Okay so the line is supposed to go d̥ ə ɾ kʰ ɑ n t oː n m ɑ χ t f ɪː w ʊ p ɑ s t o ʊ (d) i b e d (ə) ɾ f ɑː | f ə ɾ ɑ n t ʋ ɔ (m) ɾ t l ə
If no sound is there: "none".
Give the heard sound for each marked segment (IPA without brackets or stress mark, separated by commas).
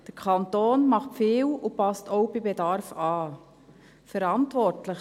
b, ɑ, none